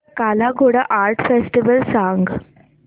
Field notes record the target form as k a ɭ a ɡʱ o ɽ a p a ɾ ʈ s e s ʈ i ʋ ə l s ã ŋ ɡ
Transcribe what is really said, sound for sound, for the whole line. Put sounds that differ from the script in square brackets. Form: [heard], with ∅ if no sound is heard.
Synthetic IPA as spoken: k a [l] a ɡʱ o ɽ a [ʔ] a ɾ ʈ [f] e s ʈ i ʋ ə l s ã ŋ ɡ